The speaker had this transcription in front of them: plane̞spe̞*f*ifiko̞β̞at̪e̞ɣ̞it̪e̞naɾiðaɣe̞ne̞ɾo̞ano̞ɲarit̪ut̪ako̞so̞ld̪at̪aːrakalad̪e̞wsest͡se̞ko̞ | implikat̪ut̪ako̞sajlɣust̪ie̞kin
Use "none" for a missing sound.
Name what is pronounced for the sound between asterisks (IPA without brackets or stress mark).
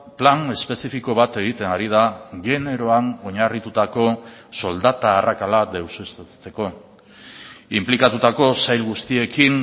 s